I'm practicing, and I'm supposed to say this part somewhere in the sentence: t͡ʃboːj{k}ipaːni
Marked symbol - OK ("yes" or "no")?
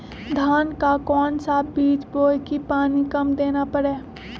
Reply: yes